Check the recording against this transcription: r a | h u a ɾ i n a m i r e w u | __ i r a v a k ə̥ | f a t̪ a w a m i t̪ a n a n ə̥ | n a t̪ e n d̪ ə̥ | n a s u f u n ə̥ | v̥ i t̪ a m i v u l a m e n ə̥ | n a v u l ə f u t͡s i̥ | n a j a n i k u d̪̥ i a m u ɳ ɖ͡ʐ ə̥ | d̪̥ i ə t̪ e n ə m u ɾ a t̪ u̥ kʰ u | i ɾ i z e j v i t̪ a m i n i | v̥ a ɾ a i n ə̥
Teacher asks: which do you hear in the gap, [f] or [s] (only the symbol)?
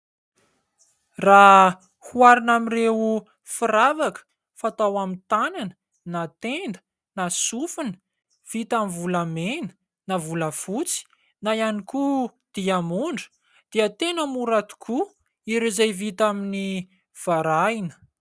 f